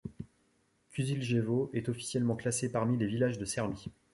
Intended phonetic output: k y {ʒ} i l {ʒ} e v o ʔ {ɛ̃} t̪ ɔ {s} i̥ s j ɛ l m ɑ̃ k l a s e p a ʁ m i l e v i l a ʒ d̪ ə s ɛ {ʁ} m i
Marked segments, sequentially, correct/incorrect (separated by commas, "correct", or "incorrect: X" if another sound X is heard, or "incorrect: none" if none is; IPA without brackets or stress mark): incorrect: z, correct, incorrect: ɛ, incorrect: f, correct